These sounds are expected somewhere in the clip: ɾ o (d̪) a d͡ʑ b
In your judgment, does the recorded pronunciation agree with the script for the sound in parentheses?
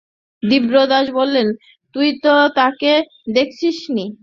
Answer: yes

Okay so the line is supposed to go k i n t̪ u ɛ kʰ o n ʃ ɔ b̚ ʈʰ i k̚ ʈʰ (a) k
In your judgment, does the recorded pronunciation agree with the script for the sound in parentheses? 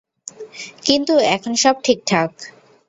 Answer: yes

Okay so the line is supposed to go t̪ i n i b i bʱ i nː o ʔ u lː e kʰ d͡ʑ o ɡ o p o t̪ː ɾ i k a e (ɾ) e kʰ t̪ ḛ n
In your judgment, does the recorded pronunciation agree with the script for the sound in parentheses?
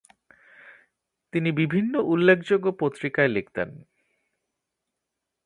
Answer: no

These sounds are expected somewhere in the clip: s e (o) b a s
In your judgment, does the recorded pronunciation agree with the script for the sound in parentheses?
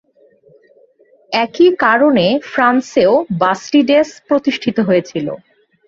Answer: yes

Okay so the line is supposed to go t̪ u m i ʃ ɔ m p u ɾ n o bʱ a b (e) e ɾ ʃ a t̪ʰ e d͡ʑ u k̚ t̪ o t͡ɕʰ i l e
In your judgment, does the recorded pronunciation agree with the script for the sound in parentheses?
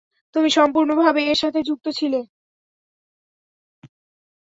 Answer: yes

